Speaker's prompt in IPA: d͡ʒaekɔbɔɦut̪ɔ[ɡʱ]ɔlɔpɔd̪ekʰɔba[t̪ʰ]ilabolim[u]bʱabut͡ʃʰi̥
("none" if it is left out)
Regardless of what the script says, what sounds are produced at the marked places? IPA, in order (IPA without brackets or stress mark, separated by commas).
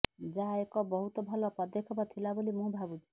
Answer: bʱ, t̪ʰ, ũ